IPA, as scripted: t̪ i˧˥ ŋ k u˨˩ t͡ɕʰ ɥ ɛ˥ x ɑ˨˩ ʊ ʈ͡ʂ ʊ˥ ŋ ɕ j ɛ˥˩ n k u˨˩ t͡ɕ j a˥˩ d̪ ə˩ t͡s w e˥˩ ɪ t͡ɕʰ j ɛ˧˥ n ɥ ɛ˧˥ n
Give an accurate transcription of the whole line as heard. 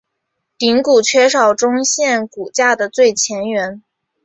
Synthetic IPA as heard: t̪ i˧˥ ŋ k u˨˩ t͡ɕʰ ɥ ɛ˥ ʂ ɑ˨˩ ʊ ʈ͡ʂ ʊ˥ ŋ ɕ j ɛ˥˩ n k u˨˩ t͡ɕ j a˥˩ d̪ ə˩ t͡s w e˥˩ ɪ t͡ɕʰ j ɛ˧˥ n ɥ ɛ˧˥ n